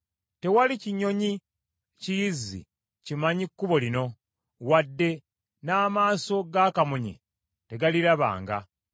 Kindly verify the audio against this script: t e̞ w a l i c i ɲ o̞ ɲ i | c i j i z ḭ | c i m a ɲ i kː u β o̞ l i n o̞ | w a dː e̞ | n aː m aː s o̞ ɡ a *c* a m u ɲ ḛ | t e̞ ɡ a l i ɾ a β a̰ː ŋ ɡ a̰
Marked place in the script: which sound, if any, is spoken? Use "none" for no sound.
k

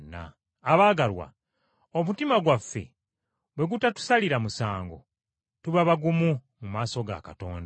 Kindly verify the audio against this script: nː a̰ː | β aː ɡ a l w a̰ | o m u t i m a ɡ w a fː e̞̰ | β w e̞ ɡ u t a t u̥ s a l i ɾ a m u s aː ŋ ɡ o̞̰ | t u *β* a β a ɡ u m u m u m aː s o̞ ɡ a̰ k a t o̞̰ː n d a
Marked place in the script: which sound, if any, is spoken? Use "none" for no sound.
β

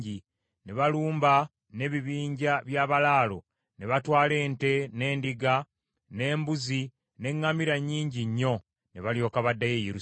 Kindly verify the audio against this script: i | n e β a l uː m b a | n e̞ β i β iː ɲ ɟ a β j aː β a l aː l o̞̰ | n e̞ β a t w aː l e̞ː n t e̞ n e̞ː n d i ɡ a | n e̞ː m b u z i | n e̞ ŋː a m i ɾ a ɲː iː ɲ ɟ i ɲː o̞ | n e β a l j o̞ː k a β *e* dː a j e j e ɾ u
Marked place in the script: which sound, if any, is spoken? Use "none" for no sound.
a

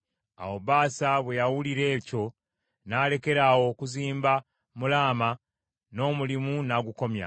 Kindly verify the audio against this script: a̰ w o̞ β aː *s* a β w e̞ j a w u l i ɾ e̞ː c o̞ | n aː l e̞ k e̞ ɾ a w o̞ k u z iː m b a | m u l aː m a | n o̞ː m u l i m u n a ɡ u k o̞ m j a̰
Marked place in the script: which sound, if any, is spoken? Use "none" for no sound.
s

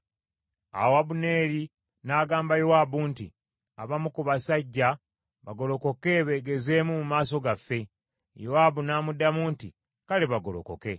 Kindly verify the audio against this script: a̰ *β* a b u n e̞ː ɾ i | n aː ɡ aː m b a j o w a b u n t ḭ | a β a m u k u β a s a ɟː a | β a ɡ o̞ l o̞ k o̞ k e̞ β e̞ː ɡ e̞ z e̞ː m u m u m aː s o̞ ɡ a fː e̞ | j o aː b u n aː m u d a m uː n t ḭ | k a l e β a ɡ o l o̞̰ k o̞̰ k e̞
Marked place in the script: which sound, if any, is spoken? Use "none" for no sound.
w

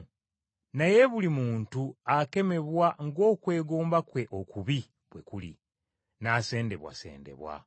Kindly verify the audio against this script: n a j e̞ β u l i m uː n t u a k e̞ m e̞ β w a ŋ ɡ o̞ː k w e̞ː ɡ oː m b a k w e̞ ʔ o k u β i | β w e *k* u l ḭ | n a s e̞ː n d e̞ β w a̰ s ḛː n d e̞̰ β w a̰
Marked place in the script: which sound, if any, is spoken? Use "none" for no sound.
k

